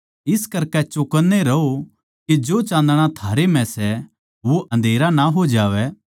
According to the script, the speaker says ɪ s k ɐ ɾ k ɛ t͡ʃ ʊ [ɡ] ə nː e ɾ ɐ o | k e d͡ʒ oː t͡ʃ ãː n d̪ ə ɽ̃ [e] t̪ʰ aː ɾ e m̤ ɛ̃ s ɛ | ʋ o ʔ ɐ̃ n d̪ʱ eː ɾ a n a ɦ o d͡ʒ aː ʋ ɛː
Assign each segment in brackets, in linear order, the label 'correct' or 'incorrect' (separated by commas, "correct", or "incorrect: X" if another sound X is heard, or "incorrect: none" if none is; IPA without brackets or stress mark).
incorrect: k, incorrect: a